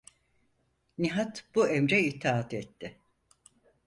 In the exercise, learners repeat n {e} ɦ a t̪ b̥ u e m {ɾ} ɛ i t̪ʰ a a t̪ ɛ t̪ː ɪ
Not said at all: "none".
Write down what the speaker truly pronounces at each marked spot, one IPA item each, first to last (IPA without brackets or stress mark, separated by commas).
i, ɾ